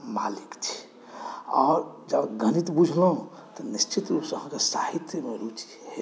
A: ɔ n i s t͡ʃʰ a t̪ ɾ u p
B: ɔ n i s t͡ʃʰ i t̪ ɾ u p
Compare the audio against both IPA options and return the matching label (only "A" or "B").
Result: B